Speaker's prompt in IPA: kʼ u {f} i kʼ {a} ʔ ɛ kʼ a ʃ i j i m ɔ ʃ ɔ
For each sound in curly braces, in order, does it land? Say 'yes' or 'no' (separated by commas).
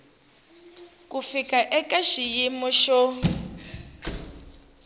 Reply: yes, yes